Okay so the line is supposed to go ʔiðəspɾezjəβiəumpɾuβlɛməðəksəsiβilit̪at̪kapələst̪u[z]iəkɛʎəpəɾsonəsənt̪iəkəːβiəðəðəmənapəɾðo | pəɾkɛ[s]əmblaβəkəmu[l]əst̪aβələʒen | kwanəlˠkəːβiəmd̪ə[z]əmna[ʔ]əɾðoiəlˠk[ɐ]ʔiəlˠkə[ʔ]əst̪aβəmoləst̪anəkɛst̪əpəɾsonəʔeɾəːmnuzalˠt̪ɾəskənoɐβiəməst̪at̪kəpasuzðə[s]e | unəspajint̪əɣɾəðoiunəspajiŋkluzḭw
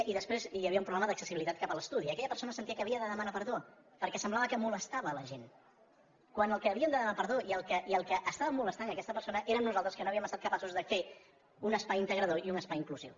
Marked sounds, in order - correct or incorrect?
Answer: incorrect: ð, correct, correct, incorrect: ð, incorrect: p, incorrect: ə, correct, incorrect: f

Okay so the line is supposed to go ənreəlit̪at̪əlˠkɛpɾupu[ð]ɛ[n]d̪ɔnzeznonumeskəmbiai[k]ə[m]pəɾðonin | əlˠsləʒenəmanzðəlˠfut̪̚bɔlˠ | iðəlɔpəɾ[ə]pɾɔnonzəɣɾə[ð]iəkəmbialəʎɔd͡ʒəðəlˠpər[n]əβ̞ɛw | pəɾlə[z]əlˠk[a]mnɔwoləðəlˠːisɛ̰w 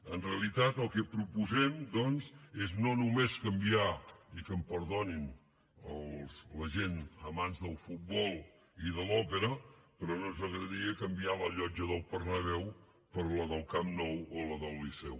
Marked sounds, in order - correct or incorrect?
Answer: incorrect: z, incorrect: m, correct, correct, correct, correct, correct, incorrect: ð, correct

